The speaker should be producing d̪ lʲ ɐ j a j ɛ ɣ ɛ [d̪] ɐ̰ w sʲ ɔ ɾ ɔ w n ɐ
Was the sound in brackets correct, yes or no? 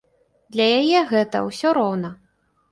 no